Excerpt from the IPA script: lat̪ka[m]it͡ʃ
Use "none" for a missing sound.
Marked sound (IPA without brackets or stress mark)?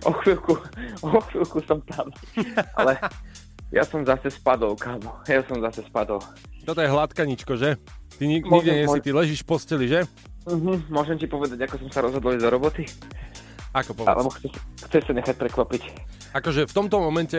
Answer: ɲ